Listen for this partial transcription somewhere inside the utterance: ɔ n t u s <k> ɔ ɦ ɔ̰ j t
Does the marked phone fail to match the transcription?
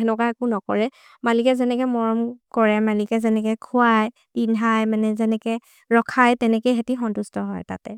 yes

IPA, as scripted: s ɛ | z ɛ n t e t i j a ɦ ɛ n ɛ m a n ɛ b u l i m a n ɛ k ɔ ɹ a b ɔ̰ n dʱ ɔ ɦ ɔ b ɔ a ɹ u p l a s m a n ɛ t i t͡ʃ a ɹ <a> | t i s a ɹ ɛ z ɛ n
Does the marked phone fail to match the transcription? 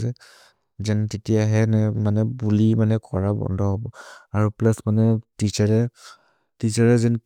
yes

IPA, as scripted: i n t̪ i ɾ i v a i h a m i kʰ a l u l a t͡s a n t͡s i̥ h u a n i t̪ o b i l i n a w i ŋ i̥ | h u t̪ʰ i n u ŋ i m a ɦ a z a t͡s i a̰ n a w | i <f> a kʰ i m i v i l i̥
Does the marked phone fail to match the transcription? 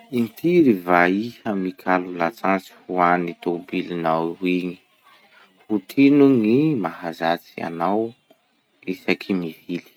yes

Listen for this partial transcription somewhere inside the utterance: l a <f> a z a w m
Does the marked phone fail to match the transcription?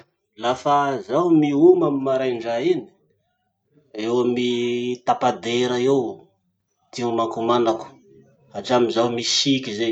no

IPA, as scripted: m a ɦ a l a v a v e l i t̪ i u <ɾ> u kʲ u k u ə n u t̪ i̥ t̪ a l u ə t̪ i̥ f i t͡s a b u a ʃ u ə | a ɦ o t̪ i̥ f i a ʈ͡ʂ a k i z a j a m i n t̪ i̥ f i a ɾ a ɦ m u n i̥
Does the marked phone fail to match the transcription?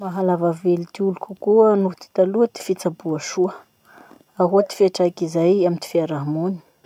yes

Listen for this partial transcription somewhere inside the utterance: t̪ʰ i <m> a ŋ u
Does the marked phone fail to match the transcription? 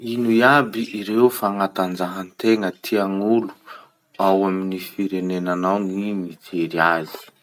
yes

